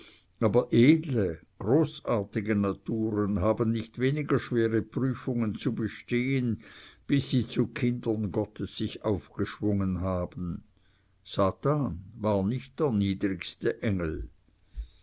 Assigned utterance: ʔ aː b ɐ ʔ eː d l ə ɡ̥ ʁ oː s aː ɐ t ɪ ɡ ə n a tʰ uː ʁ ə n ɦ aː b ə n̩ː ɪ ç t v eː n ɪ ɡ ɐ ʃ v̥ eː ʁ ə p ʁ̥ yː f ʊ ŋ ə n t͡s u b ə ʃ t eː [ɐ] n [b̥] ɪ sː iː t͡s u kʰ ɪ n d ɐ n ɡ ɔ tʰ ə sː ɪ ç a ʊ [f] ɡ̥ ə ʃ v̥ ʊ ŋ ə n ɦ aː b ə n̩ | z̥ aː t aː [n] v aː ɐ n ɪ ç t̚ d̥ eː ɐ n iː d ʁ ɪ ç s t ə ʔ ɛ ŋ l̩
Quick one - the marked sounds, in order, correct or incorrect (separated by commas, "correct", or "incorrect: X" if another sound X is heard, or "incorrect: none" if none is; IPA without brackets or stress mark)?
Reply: incorrect: ə, correct, correct, correct